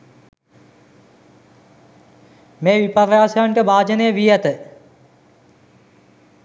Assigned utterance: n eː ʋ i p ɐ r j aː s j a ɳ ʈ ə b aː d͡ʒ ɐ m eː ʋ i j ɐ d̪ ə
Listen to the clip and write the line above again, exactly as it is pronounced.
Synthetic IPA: m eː ʋ i p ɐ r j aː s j a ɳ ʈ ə b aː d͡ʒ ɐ n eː ʋ i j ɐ t̪ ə